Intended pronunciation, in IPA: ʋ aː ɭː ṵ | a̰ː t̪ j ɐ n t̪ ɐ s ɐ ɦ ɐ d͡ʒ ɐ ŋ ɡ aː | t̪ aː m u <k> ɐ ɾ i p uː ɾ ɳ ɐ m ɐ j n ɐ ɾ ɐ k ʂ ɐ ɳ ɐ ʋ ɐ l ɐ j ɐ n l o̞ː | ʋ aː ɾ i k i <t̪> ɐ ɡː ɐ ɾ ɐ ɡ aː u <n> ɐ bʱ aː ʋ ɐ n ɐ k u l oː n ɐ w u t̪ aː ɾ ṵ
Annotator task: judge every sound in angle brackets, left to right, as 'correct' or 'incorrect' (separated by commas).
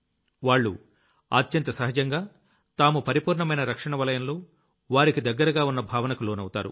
incorrect, incorrect, incorrect